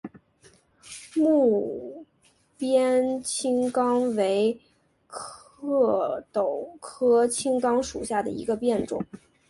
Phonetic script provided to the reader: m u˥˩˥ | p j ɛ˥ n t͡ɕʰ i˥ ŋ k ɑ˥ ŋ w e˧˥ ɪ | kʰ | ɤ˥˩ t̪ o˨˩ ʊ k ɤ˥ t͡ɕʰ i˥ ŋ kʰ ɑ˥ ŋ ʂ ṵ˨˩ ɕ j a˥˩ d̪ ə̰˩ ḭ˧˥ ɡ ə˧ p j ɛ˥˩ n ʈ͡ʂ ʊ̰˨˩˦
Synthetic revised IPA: m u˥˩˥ | p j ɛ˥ n t͡ɕʰ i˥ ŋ k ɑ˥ ŋ w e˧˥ ɪ | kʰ | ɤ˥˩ t̪ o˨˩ ʊ kʰ ɤ˥ t͡ɕʰ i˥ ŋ k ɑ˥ ŋ ʂ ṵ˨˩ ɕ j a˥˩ d̪ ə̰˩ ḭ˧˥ ɡ ə˧ p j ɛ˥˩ n ʈ͡ʂ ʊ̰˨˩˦